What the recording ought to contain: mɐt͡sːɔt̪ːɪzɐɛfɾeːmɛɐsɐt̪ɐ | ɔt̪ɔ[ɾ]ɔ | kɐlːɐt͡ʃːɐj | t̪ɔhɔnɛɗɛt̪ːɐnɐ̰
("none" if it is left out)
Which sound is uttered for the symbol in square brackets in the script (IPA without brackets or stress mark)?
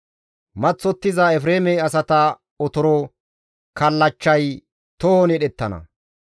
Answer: ɾ